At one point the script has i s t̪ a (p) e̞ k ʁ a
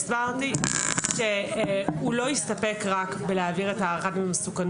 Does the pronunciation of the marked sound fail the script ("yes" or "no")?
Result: no